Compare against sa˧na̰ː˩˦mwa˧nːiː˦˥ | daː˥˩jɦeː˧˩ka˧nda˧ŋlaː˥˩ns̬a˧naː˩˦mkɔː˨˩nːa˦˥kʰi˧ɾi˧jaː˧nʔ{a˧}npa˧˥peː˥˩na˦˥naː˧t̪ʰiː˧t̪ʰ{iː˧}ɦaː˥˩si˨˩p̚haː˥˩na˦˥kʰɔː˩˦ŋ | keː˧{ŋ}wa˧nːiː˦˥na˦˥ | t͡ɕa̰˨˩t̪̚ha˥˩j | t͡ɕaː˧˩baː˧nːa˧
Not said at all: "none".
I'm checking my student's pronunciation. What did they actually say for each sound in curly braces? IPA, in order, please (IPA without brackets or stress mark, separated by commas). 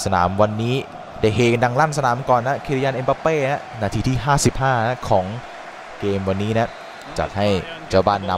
e˧, iː˥˩, m